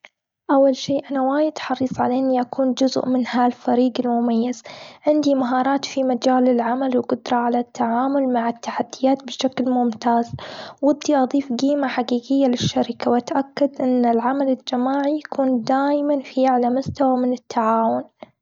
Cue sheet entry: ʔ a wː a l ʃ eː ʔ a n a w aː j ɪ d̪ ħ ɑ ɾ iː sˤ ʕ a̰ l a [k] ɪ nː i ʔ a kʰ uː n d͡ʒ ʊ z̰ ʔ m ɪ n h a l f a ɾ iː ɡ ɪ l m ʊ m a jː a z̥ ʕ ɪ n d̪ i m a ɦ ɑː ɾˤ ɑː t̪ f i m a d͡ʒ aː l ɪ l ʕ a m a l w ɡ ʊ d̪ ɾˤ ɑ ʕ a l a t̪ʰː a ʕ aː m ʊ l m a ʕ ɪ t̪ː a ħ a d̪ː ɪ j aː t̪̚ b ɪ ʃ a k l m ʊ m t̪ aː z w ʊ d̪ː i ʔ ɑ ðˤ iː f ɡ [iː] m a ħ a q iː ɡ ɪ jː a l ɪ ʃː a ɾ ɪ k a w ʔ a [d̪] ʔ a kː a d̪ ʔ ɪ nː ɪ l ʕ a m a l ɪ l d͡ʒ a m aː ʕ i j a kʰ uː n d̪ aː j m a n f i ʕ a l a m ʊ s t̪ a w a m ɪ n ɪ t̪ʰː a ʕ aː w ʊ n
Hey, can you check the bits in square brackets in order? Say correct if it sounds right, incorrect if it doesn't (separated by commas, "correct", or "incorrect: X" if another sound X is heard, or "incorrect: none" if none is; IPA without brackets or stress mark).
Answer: incorrect: ʔ, correct, incorrect: t̪